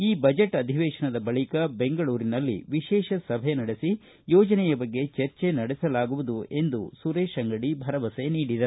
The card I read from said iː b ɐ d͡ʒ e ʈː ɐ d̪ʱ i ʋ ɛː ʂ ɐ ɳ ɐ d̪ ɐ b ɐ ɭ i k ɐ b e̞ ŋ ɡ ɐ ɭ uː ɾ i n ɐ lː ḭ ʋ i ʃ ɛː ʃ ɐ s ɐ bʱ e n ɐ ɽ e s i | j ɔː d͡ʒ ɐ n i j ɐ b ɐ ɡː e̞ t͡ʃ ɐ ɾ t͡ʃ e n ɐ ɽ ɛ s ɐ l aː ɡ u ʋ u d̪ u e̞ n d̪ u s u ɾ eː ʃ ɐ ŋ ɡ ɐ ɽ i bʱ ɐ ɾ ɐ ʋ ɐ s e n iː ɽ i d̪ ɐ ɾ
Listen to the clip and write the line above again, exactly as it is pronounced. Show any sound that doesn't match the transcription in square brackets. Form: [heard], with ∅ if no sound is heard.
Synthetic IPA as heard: iː b ɐ d͡ʒ e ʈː ɐ d̪ʱ i ʋ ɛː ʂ ɐ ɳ ɐ d̪ ɐ b ɐ ɭ i k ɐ b e̞ ŋ ɡ ɐ ɭ uː ɾ i n ɐ lː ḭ ʋ i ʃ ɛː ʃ ɐ s ɐ bʱ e n ɐ ɽ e s i | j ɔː d͡ʒ ɐ n [ɛ] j ɐ b ɐ ɡː e̞ t͡ʃ ɐ ɾ t͡ʃ e n ɐ ɽ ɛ s ɐ l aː ɡ u ʋ u d̪ u e̞ n d̪ u s u ɾ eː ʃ ɐ ŋ ɡ ɐ ɽ i bʱ ɐ ɾ ɐ ʋ ɐ s e n iː ɽ i d̪ ɐ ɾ